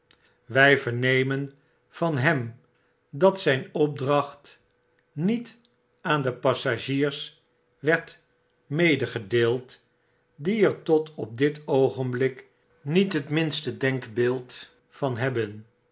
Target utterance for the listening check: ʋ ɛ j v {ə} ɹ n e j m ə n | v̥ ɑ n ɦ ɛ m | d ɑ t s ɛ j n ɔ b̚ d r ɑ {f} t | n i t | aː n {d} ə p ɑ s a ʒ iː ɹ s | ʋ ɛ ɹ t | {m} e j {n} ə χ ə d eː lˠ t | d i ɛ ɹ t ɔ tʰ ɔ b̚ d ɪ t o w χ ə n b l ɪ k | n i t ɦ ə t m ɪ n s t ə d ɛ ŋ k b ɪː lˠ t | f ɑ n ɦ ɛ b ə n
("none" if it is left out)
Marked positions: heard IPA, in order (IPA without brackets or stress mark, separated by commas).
ə, χ, d, m, d